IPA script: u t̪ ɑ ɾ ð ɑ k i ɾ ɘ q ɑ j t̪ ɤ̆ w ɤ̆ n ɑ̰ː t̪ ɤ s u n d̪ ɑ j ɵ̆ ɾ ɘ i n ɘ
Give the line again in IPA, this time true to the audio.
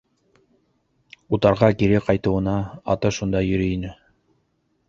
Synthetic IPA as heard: u t̪ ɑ ɾ ʁ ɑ k i ɾ ɘ q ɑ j t̪ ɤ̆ w ɤ̆ n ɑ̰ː t̪ ɤ ʃ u n d̪ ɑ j ɵ̆ ɾ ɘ i n ɘ